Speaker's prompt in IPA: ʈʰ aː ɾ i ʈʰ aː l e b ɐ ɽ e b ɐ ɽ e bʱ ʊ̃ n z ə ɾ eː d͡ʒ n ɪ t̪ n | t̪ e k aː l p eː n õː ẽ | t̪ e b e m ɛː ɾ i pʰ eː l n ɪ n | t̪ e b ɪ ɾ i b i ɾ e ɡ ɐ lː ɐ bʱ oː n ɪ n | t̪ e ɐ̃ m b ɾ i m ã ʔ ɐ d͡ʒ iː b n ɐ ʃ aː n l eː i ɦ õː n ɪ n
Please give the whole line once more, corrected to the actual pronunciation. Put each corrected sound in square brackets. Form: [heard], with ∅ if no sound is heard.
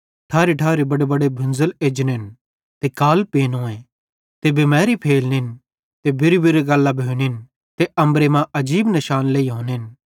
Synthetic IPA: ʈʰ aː ɾ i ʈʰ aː [ɾ] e b ɐ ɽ e b ɐ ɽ e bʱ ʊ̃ n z ə [l] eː d͡ʒ n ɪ [∅] n | t̪ e k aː l p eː n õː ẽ | t̪ e b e m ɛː ɾ i pʰ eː l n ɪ n | t̪ e b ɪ ɾ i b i ɾ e ɡ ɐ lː [a] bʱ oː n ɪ n | t̪ e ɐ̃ m b ɾ [e] m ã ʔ ɐ d͡ʒ iː b n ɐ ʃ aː n l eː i ɦ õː n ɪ n